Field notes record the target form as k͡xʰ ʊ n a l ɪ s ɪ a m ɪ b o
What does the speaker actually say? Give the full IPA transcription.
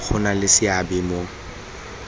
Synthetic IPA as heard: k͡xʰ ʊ n a l ɪ s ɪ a b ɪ m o